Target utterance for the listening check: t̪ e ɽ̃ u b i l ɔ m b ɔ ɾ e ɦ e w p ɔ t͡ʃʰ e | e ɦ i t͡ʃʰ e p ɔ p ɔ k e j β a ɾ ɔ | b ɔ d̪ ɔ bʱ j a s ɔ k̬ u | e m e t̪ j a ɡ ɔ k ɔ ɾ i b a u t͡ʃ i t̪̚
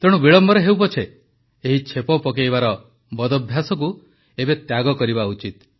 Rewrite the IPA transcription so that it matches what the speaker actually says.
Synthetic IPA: t̪ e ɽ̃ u b i ɭ ɔ m b ɔ ɾ e ɦ e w p ɔ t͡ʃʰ e | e ɦ i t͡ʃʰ e p ɔ p ɔ k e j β a ɾ ɔ | b ɔ d̪ ɔ bʱ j a s ɔ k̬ u | e b e t̪ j a ɡ ɔ k ɔ ɾ i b a u t͡ʃ i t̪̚